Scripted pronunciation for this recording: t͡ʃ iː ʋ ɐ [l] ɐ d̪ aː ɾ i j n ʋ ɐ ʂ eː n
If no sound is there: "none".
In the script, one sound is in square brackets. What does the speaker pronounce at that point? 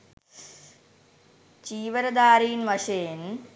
ɾ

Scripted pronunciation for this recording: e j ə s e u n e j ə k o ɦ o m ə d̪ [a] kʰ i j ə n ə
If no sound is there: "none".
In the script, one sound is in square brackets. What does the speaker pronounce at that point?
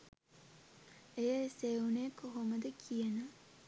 ə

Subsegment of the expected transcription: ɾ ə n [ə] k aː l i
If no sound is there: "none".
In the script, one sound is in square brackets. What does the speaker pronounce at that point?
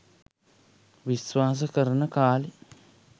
ə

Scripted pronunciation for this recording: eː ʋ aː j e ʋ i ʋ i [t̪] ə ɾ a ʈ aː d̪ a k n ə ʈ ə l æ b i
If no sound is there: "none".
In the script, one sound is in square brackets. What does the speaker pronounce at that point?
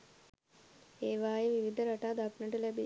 d̪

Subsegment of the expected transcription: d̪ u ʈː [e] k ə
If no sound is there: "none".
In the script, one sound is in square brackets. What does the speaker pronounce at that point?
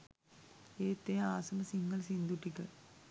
i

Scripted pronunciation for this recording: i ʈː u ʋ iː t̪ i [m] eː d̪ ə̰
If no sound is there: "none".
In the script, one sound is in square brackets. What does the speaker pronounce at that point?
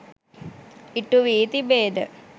b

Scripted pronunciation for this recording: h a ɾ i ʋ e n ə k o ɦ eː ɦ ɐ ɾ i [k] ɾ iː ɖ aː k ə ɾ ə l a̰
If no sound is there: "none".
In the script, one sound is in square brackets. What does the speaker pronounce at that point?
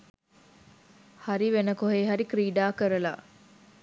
k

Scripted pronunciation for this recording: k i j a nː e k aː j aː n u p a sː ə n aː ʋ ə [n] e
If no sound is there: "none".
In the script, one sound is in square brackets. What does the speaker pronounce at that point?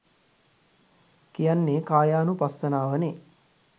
n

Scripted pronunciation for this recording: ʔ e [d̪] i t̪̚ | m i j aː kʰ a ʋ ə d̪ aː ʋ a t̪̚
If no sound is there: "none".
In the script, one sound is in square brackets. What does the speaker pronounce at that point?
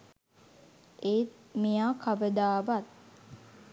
none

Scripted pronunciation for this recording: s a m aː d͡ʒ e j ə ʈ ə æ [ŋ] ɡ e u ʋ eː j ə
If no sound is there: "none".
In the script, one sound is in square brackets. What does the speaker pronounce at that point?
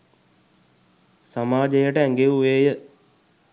ŋ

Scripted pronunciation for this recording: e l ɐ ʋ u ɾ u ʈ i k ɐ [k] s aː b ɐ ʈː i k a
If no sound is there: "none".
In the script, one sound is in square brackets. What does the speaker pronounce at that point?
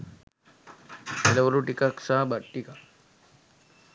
k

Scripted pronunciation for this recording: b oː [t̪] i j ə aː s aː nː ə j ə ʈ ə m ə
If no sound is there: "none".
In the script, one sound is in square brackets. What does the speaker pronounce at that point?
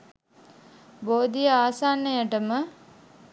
d̪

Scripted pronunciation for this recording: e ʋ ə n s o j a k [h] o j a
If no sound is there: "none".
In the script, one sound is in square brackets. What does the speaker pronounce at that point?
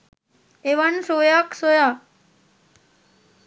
s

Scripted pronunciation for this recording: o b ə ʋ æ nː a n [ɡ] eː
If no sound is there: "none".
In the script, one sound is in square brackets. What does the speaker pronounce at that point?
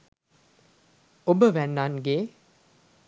ɡ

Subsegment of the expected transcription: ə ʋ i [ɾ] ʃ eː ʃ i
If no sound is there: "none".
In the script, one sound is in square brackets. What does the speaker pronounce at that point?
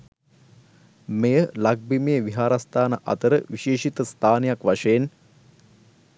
none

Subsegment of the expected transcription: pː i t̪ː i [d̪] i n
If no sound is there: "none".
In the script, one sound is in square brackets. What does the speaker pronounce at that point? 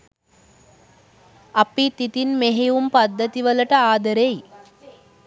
t̪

